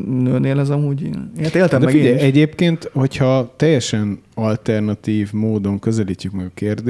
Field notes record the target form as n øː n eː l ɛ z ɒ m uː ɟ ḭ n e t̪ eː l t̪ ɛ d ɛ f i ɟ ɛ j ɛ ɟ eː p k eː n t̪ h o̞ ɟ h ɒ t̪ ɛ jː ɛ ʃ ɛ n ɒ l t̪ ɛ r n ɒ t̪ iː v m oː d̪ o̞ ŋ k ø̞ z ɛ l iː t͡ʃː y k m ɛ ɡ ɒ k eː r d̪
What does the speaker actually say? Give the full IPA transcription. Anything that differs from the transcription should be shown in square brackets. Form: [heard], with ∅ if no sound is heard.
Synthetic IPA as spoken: n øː n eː l ɛ z ɒ m uː ɟ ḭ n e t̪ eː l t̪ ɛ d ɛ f i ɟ ɛ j ɛ ɟ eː p k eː n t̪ h o̞ [c] h ɒ t̪ ɛ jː ɛ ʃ ɛ n ɒ l t̪ ɛ r n ɒ t̪ iː v m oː d̪ o̞ ŋ k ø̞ z ɛ l iː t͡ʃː y k m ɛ ɡ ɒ k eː r d̪